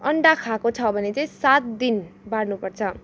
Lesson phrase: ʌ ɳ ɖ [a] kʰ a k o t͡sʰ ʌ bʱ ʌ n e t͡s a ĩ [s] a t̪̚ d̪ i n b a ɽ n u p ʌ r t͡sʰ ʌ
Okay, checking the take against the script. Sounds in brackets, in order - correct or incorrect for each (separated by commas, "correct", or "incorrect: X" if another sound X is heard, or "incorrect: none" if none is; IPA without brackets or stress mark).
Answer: correct, correct